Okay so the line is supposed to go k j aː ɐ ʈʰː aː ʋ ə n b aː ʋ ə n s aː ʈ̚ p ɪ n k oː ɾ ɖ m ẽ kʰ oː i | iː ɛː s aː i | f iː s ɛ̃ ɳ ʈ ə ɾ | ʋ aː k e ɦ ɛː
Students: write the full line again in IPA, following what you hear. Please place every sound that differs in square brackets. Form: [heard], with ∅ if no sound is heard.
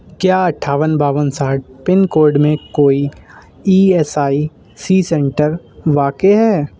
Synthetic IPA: k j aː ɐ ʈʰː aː ʋ ə n b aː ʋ ə n s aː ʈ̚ p ɪ n k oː ɾ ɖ m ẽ [k] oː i | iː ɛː s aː i | [s] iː s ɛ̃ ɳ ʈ ə ɾ | ʋ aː k e ɦ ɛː